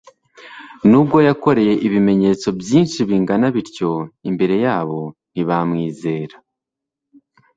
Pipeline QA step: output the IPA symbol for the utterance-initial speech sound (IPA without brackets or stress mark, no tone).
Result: n